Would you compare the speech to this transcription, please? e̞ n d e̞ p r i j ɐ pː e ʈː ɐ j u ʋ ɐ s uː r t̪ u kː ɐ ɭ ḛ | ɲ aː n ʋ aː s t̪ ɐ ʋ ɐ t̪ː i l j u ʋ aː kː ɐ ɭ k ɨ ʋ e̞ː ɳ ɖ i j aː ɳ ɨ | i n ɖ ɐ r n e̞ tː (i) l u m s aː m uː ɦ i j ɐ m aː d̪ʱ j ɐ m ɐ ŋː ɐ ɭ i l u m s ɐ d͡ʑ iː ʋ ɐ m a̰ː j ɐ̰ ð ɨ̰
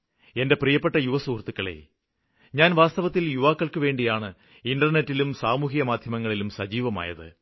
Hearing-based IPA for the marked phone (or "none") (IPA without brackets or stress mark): i